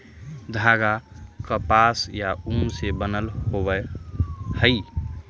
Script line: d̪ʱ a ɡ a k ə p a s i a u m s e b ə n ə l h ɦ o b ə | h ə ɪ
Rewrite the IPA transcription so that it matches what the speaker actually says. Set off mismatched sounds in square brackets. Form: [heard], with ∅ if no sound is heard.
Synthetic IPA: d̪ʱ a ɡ a k ə p a s [j] a u m s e b ə n ə l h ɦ o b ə | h ə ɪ

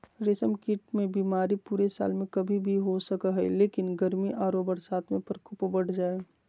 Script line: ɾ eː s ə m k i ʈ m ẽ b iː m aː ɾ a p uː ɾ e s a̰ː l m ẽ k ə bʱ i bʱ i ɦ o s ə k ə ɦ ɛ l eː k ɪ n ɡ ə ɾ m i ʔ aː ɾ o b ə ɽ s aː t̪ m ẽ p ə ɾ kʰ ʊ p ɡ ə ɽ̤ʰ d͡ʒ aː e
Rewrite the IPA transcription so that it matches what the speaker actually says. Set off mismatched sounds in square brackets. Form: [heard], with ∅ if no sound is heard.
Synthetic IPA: ɾ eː s ə m k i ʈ m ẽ b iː m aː ɾ [i] p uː ɾ e s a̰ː l m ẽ k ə bʱ i bʱ i ɦ o s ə k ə ɦ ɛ l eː k ɪ n ɡ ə ɾ m i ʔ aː ɾ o b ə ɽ s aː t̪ m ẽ p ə ɾ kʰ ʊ p [b] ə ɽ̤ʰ d͡ʒ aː e

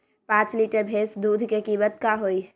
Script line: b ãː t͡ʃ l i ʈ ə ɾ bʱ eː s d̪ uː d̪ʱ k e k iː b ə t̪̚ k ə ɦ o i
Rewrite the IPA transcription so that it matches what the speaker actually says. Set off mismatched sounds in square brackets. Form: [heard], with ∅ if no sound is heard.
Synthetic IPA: [p] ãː t͡ʃ l i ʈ ə ɾ bʱ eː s d̪ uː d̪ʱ k e k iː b ə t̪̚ k [a] ɦ o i

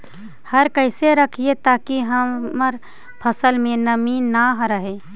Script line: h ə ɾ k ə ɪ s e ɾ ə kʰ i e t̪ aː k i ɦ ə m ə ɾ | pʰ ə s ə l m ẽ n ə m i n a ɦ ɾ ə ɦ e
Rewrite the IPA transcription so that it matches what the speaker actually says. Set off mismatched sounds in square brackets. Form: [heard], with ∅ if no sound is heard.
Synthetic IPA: h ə ɾ k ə ɪ s e ɾ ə kʰ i e t̪ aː k i ɦ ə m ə ɾ | pʰ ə s ə l m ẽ n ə m i n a ɦ ɾ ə ɦ e

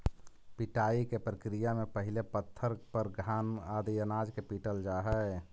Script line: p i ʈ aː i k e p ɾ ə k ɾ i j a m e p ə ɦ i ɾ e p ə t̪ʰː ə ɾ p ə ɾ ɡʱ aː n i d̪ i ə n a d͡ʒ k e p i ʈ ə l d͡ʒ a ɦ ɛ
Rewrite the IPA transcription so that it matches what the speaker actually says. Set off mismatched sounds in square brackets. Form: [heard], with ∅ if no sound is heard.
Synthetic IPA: p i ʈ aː i k e p ɾ ə k ɾ i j a m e p ə ɦ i [l] e p ə t̪ʰː ə ɾ p ə ɾ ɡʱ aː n [a] d̪ i ə n a d͡ʒ k e p i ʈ ə l d͡ʒ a ɦ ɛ

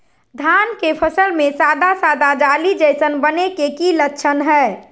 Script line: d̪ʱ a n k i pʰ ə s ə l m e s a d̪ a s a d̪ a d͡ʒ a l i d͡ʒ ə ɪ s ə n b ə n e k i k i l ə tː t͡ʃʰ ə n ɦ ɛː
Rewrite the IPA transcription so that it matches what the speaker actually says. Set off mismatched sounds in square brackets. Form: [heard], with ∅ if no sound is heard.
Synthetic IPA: d̪ʱ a n k [e] pʰ ə s ə l m e s a d̪ a s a d̪ a d͡ʒ a l i d͡ʒ ə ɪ s ə n b ə n e k [e] k i l ə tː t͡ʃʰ ə n ɦ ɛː

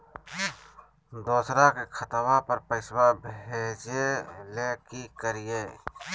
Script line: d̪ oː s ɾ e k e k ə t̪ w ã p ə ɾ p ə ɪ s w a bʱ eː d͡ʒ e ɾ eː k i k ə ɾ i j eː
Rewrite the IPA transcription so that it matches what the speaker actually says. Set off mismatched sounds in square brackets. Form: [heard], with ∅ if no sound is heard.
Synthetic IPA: d̪ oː s ɾ [a] k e [kʰ] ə t̪ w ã p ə ɾ p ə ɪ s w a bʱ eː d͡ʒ e [l] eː k i k ə ɾ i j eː

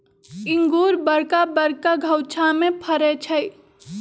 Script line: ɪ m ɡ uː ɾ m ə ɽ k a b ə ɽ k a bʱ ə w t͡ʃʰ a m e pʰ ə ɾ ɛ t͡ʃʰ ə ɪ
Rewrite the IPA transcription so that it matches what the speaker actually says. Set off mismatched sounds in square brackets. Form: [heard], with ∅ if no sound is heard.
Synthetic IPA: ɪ [ŋ] ɡ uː ɾ [b] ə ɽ k a b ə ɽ k a [ɡʱ] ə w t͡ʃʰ a m e pʰ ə ɾ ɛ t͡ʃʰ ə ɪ

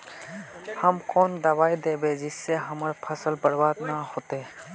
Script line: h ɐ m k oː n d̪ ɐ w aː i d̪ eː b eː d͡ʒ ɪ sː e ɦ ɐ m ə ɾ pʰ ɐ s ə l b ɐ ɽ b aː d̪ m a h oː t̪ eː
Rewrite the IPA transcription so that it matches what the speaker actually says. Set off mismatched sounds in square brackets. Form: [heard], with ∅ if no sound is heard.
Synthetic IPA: h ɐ m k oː n d̪ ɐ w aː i d̪ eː b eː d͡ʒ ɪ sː e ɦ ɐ m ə ɾ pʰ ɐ s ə l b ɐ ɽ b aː d̪ [n] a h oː t̪ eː

